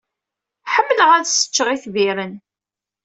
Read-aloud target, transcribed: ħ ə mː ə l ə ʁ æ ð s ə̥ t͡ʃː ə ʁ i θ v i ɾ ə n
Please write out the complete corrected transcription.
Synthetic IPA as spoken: ħ ə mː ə l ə ʁ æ ð s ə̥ t͡ʃː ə ʁ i θ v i ɾ ə n